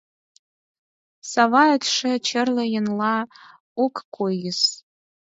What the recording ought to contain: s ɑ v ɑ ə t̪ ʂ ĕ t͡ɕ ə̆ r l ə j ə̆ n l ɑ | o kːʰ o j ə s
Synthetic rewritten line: s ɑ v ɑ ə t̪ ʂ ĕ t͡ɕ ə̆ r l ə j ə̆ n l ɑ | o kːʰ o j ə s